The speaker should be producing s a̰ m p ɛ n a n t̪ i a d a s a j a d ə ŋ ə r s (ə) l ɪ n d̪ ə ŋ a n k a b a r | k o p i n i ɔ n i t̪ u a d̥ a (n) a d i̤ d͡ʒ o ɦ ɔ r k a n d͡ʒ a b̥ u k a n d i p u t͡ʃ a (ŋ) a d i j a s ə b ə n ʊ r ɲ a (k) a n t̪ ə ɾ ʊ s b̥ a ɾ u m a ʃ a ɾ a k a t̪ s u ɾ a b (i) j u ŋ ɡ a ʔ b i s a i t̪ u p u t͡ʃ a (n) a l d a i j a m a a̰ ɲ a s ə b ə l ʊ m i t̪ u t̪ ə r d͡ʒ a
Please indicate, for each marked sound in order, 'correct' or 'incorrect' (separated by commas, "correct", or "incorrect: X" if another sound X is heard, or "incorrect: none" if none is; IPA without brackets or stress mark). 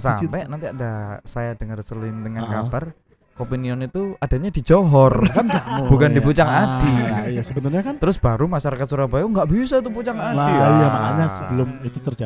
correct, incorrect: ɲ, correct, correct, incorrect: a, incorrect: ŋ